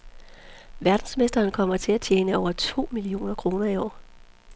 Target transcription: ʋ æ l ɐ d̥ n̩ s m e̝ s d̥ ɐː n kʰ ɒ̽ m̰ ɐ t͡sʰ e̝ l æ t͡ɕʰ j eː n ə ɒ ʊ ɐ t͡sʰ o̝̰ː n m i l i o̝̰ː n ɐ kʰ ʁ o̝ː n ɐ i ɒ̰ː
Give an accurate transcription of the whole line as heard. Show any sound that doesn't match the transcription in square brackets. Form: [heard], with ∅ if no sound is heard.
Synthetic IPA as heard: ʋ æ [∅] ɐ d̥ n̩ s m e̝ s d̥ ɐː n kʰ ɒ̽ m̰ ɐ t͡sʰ e̝ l æ t͡ɕʰ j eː n ə ɒ ʊ ɐ t͡sʰ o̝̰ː [∅] m i l i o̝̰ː n ɐ kʰ ʁ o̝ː n ɐ i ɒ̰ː